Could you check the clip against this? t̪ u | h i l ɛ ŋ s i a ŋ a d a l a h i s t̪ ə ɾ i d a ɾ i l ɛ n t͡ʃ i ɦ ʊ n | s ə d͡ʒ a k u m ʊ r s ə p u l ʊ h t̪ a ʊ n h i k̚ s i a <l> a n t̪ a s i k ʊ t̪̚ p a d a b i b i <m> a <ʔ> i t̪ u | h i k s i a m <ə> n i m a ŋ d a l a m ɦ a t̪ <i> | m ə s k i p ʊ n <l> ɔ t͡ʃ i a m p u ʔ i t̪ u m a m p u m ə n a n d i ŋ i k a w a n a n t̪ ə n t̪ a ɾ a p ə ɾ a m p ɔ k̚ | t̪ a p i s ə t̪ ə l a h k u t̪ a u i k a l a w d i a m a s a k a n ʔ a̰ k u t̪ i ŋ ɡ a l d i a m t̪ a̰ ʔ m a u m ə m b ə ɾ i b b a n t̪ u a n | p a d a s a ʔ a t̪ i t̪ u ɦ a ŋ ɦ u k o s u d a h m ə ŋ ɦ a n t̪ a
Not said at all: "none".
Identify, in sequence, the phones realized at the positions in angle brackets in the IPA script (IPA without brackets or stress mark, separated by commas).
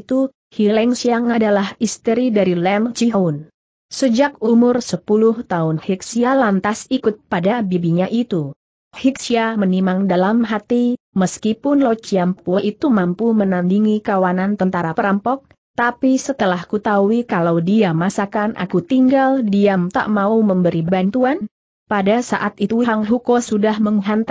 l, ɲ, ʔ, ə, i, l